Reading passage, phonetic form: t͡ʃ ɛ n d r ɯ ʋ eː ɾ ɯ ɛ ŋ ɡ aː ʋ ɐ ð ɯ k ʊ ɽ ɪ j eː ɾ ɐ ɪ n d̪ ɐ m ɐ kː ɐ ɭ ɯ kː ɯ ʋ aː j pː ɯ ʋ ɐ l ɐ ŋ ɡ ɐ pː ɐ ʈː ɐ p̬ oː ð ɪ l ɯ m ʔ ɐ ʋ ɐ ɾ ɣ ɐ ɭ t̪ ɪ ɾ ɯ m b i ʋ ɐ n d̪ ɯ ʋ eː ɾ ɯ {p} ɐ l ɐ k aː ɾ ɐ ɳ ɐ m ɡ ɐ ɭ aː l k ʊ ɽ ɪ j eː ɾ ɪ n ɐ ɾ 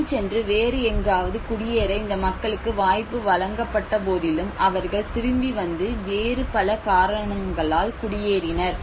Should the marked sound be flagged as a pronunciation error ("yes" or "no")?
no